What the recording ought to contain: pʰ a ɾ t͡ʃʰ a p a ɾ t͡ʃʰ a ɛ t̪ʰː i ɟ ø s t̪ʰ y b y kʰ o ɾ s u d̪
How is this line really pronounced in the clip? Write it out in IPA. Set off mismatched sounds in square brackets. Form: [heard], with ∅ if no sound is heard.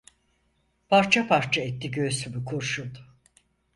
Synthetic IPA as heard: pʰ a ɾ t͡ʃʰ a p a ɾ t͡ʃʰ a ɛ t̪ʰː i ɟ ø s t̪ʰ y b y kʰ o ɾ [ʃ] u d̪